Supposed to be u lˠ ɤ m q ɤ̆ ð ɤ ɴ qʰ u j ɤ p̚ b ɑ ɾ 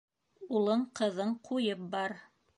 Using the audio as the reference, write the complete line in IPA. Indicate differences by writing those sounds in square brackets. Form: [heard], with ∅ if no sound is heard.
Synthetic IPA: u lˠ ɤ [ɴ] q ɤ̆ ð ɤ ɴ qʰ u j ɤ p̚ b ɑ ɾ